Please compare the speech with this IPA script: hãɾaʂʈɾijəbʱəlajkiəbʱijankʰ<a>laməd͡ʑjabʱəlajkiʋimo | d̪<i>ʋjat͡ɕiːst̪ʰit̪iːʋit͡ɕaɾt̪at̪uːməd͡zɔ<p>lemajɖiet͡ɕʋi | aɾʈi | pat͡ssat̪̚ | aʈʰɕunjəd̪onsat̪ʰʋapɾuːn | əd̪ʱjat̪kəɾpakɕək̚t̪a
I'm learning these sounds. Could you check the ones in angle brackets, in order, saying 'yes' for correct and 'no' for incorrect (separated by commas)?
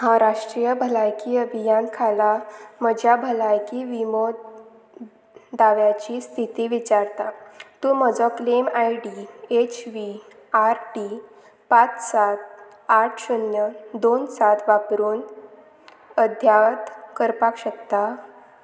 yes, no, no